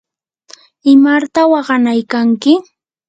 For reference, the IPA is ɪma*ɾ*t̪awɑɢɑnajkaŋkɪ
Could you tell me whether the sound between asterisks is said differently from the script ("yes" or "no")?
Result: no